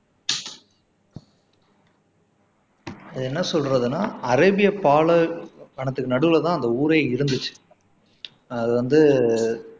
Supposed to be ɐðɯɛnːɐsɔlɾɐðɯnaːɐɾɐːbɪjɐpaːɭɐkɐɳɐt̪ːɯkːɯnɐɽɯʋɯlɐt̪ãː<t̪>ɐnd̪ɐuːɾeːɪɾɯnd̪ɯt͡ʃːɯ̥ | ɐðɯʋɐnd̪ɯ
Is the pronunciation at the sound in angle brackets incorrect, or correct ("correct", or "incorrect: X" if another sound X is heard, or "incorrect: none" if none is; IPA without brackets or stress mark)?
incorrect: none